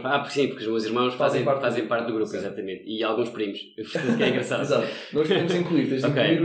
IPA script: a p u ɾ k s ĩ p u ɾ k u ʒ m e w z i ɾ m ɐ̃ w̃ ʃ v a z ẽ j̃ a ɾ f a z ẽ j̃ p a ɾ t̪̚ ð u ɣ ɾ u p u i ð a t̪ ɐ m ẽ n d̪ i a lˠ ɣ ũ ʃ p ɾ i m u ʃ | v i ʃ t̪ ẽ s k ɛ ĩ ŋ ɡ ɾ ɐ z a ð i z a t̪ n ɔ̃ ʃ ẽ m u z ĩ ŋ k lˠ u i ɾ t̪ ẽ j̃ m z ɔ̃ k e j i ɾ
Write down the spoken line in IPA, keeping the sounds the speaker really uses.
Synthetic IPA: a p u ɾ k s ĩ p u ɾ k u ʒ m e w z i ɾ m ɐ̃ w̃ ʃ f a z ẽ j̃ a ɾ f a z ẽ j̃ p a ɾ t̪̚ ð u ɣ ɾ u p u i z a t̪ ɐ m ẽ n t̪ i a lˠ ɣ ũ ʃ p ɾ i m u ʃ | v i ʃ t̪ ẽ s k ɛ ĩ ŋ ɡ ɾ ɐ s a ð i z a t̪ n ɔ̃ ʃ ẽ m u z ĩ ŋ k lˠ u i ɾ t̪ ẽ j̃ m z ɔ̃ k e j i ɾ